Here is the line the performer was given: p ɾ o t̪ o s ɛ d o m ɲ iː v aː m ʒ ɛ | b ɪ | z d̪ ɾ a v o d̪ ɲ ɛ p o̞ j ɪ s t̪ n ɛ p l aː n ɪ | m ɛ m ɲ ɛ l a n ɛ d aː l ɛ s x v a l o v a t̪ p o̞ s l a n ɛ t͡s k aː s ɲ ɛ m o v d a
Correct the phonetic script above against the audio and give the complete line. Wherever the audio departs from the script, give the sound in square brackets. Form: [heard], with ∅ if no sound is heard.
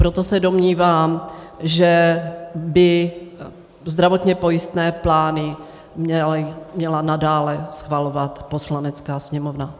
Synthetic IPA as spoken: p ɾ o t̪ o s ɛ d o m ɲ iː v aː m ʒ ɛ | b ɪ | z d̪ ɾ a v o [t̪] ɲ ɛ p o̞ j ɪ s t̪ n [ɛː] p l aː n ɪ | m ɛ m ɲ ɛ l a n [a] d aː l ɛ s x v a l o v a t̪ p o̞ s l a n ɛ t͡s k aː s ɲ ɛ m o v [n] a